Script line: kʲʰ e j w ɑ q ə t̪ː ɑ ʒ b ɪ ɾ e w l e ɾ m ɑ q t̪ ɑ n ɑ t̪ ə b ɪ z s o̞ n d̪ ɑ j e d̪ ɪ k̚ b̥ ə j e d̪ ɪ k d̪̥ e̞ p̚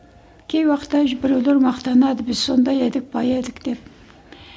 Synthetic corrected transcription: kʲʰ e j w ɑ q ə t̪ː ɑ ʒ b ɪ ɾ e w l e ɾ m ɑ q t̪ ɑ n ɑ d̪ ə b ɪ z s o̞ n d̪ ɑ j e d̪ ɪ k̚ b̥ ɑ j e d̪ ɪ k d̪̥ e̞ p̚